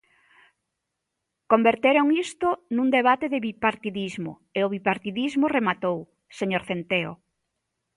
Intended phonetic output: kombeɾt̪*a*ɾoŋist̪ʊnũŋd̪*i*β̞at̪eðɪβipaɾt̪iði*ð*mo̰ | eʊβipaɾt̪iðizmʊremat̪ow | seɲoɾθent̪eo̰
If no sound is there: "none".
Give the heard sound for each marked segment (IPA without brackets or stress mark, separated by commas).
e, e, z